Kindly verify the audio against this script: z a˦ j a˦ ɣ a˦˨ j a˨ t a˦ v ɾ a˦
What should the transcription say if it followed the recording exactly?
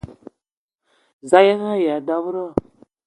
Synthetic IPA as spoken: z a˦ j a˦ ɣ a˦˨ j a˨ d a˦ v ɾ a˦